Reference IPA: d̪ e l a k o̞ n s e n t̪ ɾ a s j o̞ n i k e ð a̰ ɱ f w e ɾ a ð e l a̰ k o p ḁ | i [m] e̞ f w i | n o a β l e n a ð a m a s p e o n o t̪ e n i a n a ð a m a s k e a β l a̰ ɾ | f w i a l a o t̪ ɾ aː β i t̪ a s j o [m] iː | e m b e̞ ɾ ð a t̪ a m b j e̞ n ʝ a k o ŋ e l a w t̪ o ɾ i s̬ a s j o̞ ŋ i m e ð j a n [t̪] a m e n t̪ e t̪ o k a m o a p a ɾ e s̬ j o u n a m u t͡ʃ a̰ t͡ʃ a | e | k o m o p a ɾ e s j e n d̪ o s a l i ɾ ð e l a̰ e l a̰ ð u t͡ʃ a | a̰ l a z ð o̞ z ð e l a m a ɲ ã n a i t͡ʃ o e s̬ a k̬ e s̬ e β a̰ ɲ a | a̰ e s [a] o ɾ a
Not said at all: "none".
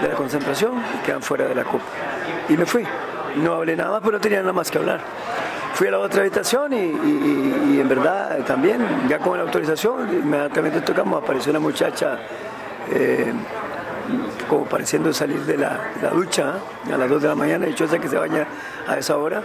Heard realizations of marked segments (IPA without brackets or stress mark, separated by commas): m, n, t̪, a